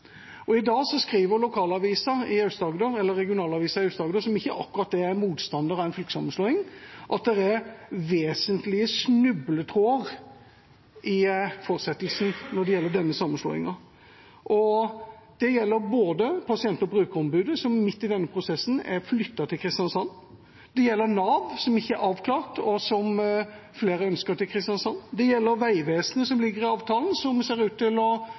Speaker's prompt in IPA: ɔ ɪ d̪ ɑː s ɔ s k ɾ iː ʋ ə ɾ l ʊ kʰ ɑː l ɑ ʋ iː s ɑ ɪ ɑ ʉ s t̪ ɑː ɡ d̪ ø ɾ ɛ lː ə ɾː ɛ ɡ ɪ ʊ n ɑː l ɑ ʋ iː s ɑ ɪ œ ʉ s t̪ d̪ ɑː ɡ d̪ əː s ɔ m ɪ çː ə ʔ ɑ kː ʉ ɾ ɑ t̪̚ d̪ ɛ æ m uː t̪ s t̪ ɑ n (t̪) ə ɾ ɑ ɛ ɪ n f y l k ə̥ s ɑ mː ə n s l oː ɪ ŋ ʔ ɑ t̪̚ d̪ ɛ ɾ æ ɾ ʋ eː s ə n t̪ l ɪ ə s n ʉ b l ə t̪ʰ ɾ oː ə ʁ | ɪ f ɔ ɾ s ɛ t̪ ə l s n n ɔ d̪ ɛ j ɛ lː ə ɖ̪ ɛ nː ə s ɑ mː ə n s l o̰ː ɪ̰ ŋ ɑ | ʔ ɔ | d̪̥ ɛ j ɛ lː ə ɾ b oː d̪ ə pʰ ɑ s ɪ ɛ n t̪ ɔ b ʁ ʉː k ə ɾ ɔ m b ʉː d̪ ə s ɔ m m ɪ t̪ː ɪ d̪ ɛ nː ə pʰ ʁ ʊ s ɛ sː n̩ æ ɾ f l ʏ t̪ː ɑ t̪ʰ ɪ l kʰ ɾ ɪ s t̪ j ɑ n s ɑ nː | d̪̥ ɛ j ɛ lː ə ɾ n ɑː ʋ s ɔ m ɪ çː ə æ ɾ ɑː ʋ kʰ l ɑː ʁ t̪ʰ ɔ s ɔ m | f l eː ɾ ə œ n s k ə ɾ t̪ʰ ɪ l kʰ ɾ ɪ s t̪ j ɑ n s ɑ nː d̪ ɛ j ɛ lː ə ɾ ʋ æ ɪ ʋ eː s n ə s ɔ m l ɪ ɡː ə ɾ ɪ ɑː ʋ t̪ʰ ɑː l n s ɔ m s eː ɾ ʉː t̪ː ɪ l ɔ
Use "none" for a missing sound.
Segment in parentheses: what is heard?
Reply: d̪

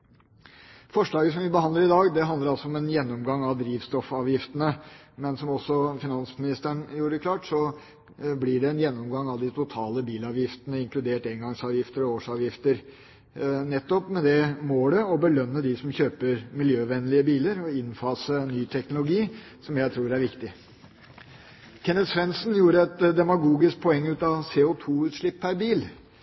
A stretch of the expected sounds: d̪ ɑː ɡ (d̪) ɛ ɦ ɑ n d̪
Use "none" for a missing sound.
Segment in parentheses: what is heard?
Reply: d̪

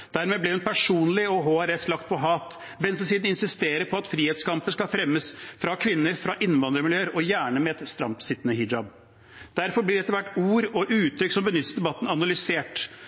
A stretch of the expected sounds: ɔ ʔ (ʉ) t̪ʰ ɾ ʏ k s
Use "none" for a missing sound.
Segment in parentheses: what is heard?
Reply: ʉː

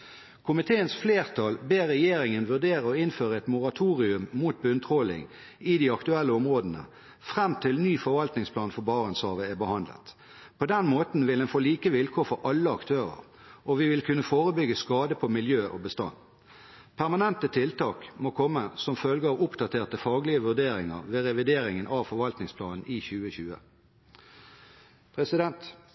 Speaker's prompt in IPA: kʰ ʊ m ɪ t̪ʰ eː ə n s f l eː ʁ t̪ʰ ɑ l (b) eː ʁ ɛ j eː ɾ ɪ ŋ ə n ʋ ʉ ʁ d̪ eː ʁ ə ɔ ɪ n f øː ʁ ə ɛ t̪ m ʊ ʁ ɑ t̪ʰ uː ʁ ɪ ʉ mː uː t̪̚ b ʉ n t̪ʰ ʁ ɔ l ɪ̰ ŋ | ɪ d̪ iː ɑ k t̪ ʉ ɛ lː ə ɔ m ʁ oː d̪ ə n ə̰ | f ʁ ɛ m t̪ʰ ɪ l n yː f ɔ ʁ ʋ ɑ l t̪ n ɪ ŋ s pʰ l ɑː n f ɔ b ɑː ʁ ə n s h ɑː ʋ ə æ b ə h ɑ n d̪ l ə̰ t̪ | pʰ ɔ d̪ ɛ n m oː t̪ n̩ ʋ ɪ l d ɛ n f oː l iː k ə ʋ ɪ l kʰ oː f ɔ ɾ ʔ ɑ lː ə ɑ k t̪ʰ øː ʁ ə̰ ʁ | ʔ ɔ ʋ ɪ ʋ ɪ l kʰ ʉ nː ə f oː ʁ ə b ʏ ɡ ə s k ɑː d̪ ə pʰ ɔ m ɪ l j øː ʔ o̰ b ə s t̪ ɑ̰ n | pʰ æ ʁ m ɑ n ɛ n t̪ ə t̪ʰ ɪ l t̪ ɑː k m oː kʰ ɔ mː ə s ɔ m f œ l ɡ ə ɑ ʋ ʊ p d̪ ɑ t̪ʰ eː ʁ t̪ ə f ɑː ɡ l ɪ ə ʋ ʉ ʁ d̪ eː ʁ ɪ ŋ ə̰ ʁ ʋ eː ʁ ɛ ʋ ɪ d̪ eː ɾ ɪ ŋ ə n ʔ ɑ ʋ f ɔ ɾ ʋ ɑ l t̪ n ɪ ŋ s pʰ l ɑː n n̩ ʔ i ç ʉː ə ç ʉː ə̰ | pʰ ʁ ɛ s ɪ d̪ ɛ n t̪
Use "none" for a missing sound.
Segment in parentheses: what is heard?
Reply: b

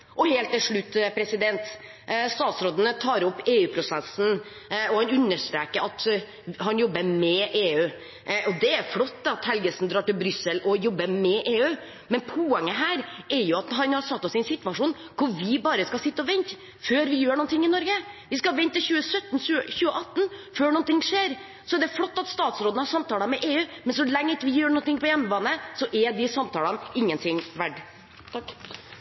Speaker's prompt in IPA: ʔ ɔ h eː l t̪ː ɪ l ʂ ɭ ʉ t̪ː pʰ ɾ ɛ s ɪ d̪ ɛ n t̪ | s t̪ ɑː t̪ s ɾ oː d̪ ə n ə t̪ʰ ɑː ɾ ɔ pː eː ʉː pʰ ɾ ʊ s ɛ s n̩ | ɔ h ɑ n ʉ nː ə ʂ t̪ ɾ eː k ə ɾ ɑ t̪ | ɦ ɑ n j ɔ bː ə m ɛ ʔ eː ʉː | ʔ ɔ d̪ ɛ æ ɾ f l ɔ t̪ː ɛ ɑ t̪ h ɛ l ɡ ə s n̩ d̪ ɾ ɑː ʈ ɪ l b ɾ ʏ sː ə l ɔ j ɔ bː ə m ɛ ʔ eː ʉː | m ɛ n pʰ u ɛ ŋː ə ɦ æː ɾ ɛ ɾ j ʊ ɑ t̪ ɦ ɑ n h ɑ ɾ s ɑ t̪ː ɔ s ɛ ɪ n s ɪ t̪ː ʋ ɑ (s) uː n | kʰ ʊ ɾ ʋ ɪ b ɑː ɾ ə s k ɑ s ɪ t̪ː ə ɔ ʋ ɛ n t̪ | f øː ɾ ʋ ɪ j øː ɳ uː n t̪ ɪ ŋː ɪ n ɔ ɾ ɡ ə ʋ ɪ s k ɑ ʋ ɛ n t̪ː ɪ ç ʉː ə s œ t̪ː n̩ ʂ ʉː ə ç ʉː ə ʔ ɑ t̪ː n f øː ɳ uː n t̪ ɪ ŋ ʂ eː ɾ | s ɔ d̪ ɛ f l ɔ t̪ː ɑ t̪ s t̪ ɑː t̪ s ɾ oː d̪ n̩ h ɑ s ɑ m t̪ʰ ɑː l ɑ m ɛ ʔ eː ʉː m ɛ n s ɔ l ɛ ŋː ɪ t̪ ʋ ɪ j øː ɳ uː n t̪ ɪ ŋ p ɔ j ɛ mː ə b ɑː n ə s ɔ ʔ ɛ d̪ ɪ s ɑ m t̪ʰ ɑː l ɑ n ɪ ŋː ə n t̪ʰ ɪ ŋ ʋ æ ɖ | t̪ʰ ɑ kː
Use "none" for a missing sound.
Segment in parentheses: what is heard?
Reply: ʂ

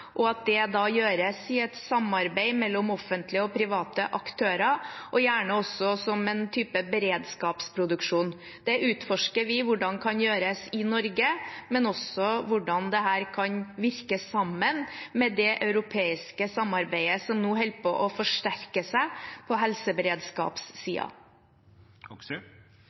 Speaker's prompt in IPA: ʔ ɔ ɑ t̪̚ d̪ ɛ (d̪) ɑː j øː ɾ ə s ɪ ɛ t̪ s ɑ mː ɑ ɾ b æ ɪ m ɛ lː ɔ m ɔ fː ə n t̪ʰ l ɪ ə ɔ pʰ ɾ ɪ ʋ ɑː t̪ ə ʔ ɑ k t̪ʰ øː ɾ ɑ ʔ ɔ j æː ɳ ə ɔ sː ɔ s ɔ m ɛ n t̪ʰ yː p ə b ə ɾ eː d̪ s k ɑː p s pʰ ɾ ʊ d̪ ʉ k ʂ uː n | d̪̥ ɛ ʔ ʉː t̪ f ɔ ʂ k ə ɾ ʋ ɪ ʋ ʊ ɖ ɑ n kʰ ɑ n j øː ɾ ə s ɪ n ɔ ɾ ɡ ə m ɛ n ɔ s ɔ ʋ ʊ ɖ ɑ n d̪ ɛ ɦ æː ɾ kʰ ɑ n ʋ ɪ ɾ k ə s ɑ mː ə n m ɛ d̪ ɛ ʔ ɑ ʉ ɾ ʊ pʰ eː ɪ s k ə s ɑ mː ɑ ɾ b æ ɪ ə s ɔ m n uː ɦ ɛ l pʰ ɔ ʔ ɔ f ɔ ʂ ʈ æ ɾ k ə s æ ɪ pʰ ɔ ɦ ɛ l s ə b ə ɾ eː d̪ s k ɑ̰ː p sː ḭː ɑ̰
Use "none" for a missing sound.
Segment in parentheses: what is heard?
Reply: d̪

